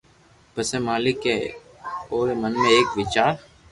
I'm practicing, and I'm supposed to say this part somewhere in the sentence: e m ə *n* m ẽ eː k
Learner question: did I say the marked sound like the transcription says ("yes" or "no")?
yes